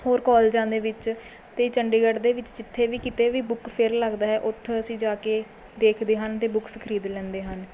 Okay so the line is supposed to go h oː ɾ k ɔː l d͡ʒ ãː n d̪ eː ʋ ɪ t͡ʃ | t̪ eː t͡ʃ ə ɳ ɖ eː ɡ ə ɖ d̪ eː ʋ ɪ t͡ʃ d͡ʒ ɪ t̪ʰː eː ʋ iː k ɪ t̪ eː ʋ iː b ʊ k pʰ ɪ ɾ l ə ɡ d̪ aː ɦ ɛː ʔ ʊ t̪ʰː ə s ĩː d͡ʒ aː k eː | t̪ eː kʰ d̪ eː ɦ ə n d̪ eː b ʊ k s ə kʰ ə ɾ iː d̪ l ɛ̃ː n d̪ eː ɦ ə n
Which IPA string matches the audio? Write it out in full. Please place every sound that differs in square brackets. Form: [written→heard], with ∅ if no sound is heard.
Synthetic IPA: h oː ɾ k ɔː l d͡ʒ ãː n d̪ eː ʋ ɪ t͡ʃ | t̪ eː t͡ʃ ə ɳ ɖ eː ɡ ə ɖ d̪ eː ʋ ɪ t͡ʃ d͡ʒ ɪ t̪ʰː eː ʋ iː k ɪ t̪ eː ʋ iː b ʊ k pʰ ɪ ɾ l ə ɡ d̪ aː ɦ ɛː ʔ ʊ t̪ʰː ə s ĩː d͡ʒ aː k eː | [t̪→d̪] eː kʰ d̪ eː ɦ ə n [d̪→t̪] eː b ʊ k s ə kʰ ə ɾ iː d̪ l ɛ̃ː n d̪ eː ɦ ə n